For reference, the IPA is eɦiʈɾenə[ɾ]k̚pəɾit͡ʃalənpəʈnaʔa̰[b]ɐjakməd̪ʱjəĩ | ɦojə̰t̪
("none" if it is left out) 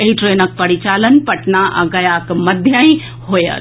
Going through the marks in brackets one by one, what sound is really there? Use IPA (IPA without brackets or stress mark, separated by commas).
none, ɡ